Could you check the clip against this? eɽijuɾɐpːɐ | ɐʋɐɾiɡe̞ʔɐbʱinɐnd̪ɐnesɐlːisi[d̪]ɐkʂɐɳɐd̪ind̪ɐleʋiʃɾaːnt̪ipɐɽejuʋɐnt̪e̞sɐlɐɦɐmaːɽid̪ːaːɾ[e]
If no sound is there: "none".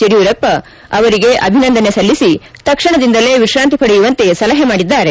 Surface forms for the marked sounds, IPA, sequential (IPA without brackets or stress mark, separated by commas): t̪, e